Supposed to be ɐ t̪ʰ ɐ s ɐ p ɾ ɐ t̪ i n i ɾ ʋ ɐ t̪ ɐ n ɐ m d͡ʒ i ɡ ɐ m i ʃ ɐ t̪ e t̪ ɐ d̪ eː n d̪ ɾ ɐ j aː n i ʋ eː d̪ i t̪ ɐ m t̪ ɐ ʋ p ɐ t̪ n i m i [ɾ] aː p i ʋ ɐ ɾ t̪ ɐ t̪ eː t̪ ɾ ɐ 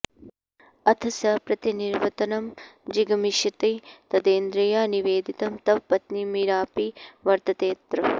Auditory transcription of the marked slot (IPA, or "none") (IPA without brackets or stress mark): ɾ